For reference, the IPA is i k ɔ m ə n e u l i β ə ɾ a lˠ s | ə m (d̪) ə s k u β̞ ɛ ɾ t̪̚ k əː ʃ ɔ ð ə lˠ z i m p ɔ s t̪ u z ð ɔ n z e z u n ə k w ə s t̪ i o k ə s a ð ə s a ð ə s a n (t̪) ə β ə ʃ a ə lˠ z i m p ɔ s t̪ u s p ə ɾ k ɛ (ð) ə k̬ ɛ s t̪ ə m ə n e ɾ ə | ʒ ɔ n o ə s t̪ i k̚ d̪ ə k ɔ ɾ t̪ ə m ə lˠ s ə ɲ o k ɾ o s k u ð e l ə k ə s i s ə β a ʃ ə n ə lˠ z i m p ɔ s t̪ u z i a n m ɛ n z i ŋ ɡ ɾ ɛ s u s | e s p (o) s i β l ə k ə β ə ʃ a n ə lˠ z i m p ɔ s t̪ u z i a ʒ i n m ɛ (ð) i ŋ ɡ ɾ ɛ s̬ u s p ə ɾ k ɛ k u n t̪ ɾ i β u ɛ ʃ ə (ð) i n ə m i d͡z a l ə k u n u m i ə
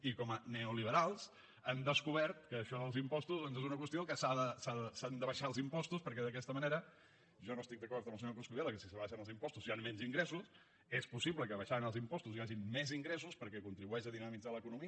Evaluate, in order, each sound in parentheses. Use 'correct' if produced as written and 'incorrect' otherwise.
correct, incorrect, correct, incorrect, incorrect, correct

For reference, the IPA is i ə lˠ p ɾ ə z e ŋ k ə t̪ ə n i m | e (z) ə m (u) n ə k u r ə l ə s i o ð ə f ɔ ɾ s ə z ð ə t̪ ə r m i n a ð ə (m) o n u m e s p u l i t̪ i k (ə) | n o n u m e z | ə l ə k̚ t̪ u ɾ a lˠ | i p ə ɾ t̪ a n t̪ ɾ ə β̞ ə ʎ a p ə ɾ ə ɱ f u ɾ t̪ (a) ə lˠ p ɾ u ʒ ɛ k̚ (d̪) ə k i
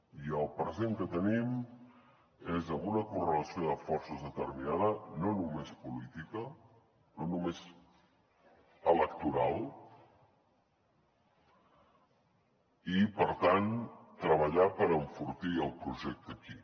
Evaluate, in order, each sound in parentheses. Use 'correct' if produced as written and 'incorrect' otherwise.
correct, correct, incorrect, correct, incorrect, incorrect

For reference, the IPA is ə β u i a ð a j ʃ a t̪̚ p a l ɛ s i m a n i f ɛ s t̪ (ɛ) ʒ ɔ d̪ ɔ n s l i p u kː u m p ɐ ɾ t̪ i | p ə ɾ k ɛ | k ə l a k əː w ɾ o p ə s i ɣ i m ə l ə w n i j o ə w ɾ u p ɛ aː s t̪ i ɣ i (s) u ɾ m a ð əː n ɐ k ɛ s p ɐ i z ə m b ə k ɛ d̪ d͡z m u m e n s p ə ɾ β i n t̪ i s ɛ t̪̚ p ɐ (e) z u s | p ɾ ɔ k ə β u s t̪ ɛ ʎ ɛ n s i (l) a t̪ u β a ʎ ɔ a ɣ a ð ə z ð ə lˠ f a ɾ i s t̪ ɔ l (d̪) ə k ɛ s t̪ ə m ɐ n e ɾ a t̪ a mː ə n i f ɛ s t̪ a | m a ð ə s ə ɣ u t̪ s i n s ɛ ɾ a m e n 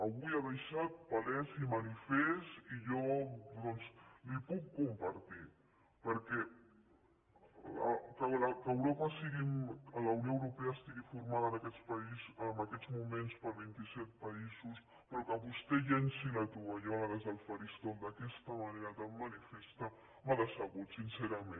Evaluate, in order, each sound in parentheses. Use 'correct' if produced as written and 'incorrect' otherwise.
incorrect, incorrect, incorrect, correct, correct

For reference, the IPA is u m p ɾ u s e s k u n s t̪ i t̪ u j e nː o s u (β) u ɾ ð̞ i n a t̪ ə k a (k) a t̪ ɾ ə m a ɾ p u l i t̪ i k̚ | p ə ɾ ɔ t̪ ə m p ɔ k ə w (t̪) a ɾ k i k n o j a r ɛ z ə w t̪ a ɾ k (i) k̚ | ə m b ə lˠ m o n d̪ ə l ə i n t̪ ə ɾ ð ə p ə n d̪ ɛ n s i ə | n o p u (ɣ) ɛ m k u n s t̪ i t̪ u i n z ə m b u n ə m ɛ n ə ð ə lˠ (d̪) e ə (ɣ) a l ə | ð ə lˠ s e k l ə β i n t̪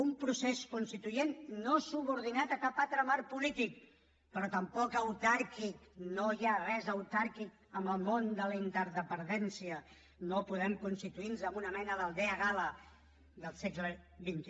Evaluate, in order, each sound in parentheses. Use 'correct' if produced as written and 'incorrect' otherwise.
correct, incorrect, correct, correct, incorrect, correct, correct

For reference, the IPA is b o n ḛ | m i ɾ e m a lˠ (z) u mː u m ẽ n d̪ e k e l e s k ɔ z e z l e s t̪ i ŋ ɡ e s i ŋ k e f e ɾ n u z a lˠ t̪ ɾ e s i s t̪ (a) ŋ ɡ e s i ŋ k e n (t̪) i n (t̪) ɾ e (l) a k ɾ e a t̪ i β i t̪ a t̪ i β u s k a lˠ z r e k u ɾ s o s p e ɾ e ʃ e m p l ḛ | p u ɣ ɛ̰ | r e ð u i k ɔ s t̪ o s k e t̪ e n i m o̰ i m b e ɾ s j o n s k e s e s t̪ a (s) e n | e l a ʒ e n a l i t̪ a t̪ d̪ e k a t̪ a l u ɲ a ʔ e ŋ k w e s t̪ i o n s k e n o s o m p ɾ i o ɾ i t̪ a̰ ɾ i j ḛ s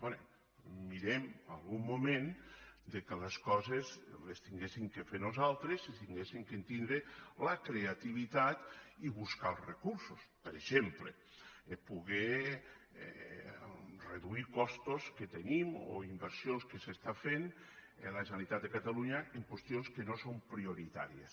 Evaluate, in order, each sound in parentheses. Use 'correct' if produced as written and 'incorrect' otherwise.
incorrect, incorrect, correct, incorrect, correct, incorrect

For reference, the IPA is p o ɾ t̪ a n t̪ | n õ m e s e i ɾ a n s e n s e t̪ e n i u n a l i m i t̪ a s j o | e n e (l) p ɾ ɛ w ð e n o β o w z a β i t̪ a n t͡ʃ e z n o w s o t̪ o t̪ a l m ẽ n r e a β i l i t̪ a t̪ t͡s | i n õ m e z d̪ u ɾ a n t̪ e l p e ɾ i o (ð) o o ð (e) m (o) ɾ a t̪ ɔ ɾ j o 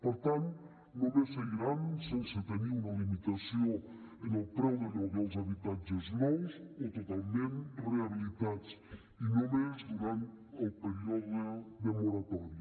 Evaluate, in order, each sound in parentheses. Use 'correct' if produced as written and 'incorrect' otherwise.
correct, correct, correct, correct

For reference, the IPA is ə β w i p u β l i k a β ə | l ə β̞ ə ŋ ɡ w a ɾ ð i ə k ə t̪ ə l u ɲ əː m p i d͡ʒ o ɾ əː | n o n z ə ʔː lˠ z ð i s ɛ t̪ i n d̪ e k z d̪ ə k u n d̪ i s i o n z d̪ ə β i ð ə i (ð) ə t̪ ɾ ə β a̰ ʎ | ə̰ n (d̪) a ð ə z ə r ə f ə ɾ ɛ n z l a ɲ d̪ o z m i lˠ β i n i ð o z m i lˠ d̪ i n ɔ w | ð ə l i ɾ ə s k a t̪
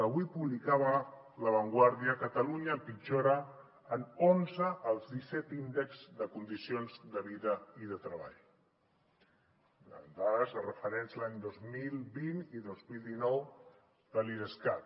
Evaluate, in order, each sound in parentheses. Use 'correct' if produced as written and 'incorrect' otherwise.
correct, correct

